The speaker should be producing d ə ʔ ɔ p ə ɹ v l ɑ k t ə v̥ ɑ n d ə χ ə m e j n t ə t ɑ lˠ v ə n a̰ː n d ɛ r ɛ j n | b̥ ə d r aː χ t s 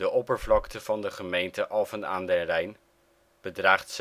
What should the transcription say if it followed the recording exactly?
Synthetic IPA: d ə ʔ ɔ p ə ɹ v l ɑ k t ə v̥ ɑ n d ə χ ə m e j n t ə ʔ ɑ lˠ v ə n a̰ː n d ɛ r ɛ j n | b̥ ə d r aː χ t s

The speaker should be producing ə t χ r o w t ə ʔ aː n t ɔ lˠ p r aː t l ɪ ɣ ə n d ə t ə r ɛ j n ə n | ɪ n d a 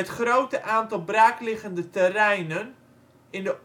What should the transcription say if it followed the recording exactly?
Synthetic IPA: ə t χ r o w t ə ʔ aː n t ɔ lˠ b r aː k l ɪ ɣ ə n d ə t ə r ɛ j n ə n | ɪ n d ə

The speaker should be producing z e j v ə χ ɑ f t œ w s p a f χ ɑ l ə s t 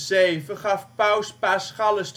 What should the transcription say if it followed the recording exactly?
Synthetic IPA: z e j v ə χ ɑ f p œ w s p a s χ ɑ l ə s t

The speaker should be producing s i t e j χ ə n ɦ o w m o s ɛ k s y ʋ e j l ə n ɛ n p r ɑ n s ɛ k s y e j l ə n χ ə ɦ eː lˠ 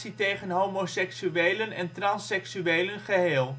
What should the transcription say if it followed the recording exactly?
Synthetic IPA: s i t e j χ ə n ɦ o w m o s ɛ k s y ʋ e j l ə n ɛ n t r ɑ n s ɛ k s y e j l ə n χ ə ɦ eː lˠ

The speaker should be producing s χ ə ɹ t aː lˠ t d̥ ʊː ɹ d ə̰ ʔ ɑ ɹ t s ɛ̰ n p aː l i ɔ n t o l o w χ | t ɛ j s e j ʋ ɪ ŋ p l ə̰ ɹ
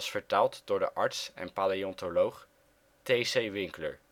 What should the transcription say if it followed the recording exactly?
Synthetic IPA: s f ə ɹ t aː lˠ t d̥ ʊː ɹ d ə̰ ʔ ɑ ɹ t s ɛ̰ n p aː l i ɔ n t o l o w χ | t e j s e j ʋ ɪ ŋ k l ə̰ ɹ

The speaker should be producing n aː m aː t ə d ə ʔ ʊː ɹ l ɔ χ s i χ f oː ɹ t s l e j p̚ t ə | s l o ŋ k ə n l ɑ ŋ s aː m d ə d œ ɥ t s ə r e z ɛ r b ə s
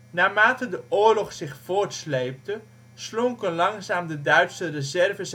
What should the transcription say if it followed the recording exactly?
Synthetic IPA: n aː m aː t ə d ə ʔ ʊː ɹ l ɔ χ s ɪ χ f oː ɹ t s l e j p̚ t ə | s l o ŋ k ə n l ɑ ŋ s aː m d ə d œ ɥ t s ə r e z ɛ r v ə s

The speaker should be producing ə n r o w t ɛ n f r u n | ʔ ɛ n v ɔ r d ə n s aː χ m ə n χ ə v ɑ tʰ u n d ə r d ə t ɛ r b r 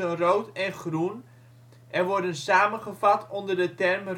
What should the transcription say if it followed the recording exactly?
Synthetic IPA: ə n r o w t ɛ n χ r u n | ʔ ɛ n ʋ ɔ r d ə n s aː m ə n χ ə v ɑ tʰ ɔ n d ə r d ə t ɛ r m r

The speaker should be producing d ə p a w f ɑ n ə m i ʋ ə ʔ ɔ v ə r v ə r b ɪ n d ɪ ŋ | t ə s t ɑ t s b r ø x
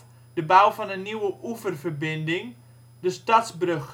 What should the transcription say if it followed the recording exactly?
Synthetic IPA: d ə b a w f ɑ n ə n i w ə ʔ u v ə r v ə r b ɪ n d ɪ ŋ | d ə s t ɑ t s b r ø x

